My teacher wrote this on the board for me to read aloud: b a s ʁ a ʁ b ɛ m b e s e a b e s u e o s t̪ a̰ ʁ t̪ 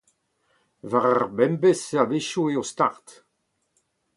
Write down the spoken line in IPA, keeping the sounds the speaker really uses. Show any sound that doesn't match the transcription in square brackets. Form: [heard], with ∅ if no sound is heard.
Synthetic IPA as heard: [v] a [∅] ʁ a ʁ b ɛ m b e s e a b e [ʃ] u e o s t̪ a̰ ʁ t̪

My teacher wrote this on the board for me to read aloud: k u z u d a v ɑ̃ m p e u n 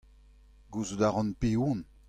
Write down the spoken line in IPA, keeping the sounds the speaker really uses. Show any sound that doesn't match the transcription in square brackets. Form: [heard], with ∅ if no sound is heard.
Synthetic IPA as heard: [ɡ] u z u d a [ʁ] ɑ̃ [n] p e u n

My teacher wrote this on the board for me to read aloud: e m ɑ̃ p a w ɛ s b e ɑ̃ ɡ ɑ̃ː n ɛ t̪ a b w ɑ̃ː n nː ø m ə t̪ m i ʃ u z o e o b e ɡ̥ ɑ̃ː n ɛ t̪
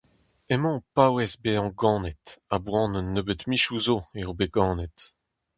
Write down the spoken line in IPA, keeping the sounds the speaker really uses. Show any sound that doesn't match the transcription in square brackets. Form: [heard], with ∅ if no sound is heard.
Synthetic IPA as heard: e m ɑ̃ p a w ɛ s b e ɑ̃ ɡ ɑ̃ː n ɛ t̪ a b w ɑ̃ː n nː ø [b] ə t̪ m i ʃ u z o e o b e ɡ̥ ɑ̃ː n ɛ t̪

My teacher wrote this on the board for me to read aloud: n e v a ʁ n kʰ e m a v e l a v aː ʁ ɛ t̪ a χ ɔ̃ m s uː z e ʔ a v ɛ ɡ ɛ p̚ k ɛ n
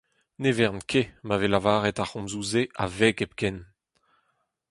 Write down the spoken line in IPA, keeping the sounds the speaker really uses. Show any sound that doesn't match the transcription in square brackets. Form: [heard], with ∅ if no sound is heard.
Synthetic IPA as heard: n e v [ɛ] ʁ n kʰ e m a v e l a v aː ʁ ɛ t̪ a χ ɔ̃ m [z] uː z e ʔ a v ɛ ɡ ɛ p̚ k ɛ n

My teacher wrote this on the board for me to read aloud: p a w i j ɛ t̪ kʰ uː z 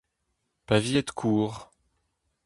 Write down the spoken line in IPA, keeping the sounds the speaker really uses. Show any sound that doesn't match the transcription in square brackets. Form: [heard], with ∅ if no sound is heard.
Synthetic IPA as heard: p a [v] i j ɛ t̪ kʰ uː [ʁ]

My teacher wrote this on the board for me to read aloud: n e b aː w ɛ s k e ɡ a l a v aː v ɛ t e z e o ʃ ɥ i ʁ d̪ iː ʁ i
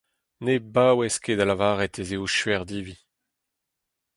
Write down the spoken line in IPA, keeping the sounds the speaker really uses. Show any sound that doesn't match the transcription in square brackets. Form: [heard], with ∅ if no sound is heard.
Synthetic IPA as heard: n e b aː w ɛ s k e [d] a l a v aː [ʁ] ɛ t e z e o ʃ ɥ [ɛ] ʁ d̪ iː [v] i

